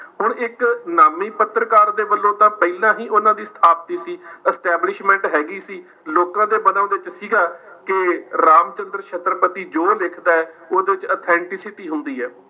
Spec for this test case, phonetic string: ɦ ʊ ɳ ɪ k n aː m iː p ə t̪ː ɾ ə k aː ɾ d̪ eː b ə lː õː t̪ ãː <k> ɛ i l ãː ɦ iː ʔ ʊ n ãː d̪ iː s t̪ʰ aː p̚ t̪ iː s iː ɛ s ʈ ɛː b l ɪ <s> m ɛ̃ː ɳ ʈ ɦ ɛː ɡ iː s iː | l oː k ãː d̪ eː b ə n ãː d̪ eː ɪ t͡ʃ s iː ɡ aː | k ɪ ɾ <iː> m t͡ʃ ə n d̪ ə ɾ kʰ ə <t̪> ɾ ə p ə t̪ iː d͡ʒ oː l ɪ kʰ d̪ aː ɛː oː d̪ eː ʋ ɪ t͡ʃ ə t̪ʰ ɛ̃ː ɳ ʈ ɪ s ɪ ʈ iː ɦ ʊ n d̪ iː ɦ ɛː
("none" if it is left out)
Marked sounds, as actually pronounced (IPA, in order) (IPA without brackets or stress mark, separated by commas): p, ʃ, aː, t̪